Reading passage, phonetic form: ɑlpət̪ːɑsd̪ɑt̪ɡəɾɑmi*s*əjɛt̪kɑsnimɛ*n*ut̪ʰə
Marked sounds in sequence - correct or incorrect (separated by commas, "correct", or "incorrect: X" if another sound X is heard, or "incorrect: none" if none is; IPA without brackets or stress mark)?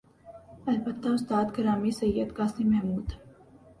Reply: correct, incorrect: m